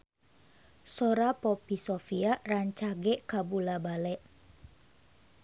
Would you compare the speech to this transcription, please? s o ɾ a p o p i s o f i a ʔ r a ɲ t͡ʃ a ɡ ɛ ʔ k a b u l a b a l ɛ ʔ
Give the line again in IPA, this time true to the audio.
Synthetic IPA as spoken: s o ɾ a p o p i s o f i a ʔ r a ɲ t͡ʃ a ɡ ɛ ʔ k a b u l a b a l ɛ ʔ